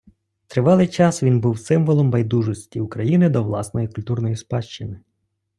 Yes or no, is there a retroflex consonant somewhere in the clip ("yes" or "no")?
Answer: no